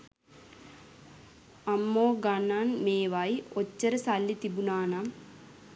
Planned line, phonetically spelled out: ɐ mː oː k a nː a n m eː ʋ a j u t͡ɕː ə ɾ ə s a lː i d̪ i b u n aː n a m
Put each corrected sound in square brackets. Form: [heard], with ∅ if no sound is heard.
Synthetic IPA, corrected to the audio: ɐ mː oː [ɡ] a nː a n m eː ʋ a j [o] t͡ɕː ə ɾ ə s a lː i [t̪] i b u n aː n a m